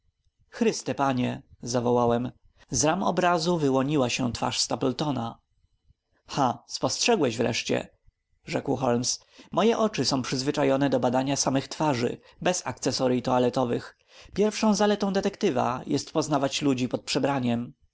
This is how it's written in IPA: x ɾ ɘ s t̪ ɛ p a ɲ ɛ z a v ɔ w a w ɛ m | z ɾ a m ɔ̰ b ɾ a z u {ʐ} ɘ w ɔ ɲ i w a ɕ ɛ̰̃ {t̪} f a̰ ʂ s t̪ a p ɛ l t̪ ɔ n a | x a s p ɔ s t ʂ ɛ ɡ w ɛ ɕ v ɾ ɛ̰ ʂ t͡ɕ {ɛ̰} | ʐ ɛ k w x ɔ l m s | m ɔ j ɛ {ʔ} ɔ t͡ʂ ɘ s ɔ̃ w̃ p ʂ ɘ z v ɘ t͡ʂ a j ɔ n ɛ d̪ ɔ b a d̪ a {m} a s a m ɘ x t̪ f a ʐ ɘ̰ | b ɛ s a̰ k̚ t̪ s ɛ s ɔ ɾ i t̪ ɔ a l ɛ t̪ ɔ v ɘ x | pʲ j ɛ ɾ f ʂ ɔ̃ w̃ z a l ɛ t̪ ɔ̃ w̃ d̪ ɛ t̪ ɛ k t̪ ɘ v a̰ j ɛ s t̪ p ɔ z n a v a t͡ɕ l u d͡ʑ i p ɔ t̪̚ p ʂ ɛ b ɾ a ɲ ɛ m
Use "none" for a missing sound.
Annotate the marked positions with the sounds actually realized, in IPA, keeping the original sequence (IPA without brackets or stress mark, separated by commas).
v, t̪, ɛ̰, ʔ, ɲ